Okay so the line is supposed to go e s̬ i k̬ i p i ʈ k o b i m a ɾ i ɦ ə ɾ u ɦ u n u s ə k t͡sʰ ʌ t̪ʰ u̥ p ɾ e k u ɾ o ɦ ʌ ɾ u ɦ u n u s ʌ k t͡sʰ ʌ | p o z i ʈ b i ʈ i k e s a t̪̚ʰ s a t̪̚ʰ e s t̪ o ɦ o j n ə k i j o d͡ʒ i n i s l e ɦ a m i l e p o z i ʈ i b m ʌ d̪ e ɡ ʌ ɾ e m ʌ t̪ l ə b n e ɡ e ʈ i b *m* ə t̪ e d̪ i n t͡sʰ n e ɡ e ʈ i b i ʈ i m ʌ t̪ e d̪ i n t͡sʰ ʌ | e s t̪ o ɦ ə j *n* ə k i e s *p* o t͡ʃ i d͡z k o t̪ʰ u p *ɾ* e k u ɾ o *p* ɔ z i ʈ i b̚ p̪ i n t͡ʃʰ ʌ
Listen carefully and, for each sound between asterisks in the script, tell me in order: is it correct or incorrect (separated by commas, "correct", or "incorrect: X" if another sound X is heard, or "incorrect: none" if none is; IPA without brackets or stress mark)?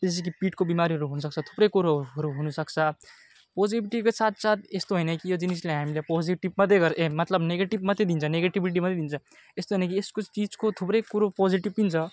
correct, correct, incorrect: k, correct, correct